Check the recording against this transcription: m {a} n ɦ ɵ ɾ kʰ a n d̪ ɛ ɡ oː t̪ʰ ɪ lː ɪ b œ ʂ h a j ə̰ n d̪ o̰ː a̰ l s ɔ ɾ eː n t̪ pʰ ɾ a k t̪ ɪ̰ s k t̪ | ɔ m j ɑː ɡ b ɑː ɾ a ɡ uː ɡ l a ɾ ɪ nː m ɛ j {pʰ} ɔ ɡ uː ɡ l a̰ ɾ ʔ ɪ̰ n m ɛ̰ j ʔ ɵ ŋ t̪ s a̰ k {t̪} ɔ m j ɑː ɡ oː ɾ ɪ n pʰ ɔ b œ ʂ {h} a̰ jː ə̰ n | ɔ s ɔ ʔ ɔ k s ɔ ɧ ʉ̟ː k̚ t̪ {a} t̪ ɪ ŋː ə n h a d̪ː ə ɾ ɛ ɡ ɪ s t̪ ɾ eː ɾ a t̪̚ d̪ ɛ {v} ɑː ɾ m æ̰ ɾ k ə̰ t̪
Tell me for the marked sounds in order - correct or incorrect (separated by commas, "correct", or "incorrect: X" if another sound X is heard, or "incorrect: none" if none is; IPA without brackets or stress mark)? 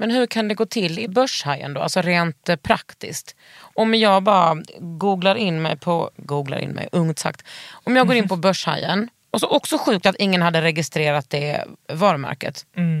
incorrect: ɛ, correct, correct, correct, correct, correct